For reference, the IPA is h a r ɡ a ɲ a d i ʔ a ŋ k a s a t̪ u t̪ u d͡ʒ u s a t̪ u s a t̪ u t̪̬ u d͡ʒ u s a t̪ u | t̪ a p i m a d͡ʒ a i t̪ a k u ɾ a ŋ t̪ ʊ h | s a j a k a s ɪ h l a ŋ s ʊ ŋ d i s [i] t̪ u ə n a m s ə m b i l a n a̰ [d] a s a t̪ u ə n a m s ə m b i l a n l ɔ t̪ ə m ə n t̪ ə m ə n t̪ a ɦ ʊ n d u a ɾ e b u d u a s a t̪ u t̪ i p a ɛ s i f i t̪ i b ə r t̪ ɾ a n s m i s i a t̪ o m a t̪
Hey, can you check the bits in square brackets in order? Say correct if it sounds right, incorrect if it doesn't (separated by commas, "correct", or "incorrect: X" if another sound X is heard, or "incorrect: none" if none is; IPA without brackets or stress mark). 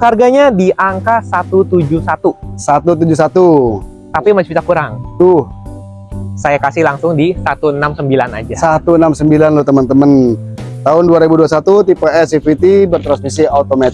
incorrect: a, incorrect: d͡ʒ